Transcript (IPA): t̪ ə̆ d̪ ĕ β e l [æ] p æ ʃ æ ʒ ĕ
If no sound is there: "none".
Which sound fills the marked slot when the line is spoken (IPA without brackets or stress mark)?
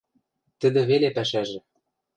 e